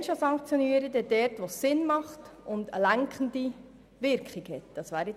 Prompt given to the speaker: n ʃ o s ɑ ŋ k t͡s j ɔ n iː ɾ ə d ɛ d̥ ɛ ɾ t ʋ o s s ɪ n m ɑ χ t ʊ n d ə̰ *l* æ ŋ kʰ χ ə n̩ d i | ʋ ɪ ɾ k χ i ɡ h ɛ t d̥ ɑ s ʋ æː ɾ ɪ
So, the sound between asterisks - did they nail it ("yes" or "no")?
yes